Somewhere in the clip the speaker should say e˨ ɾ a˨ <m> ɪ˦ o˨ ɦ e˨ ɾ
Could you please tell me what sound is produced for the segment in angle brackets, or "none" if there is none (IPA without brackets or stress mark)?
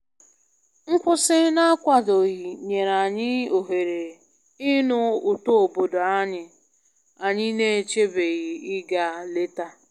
ɲ